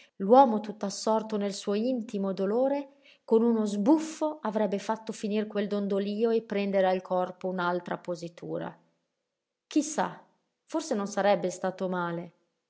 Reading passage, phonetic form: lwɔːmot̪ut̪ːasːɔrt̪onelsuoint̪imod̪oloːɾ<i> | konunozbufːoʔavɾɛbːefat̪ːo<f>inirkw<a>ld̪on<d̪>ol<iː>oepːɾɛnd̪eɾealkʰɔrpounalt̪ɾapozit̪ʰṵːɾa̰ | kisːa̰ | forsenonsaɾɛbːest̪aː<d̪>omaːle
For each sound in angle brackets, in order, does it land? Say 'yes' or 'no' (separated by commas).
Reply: no, yes, no, yes, yes, no